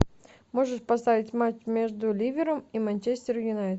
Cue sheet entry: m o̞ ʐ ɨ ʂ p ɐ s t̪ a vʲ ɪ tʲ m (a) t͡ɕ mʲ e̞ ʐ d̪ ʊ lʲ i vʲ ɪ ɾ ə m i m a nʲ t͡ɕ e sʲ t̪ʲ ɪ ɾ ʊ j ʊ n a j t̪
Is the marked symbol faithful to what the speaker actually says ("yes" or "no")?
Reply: yes